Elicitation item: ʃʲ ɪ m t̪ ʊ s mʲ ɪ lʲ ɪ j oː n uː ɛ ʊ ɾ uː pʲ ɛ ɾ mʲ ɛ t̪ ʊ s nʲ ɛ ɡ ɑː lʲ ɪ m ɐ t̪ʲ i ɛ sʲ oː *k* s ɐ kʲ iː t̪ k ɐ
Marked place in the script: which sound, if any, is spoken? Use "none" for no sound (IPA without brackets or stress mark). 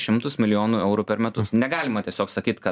k